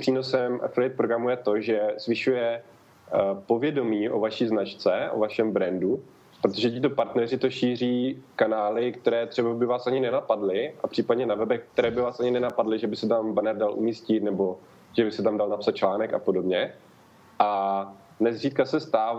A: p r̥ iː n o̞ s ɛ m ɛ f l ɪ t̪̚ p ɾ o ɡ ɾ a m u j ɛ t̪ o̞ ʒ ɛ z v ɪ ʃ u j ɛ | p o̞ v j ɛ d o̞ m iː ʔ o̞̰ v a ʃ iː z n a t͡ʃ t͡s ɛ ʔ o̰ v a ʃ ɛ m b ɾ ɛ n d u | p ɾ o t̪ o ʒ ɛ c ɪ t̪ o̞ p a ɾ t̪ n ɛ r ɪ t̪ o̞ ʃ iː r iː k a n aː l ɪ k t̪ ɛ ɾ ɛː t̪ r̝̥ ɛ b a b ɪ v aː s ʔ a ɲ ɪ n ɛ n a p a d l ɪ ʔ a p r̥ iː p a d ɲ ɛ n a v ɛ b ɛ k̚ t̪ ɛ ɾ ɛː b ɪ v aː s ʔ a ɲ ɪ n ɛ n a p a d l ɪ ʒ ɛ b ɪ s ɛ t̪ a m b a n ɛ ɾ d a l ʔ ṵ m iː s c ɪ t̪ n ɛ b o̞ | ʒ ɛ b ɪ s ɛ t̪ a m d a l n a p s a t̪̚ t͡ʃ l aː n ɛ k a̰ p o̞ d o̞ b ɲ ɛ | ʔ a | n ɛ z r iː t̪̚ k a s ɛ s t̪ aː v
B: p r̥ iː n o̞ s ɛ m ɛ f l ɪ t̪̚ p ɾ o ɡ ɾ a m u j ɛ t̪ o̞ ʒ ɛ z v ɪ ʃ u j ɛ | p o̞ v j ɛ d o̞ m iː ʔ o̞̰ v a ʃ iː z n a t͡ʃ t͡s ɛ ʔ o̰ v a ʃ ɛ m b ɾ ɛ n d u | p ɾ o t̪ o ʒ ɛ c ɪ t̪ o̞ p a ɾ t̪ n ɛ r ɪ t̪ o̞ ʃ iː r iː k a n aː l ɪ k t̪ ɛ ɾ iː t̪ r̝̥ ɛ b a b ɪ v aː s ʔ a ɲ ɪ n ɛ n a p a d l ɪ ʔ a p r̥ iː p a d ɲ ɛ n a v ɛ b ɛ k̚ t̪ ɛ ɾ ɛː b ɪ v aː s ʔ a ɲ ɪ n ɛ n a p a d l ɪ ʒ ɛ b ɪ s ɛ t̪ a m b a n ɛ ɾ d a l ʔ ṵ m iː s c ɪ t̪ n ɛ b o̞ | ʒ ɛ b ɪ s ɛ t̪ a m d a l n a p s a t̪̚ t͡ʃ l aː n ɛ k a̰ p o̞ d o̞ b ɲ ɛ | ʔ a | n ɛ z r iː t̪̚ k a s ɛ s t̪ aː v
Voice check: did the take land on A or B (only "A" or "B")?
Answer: A